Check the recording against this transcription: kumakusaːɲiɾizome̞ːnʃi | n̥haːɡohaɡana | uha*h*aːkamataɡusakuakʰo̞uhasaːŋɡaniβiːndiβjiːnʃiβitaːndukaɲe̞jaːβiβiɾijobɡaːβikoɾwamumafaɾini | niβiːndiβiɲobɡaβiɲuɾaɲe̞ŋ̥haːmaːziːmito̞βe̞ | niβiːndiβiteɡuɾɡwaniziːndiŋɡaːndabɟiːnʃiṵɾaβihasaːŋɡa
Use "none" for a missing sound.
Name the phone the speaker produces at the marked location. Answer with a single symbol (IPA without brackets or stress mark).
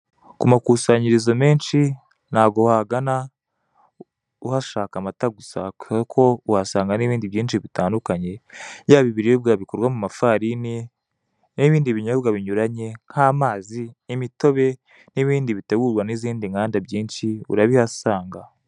ʃ